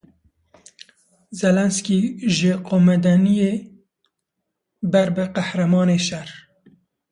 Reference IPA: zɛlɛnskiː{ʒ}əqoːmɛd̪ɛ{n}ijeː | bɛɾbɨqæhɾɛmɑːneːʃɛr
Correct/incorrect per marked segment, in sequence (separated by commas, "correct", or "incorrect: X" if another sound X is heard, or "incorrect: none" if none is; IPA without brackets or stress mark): correct, correct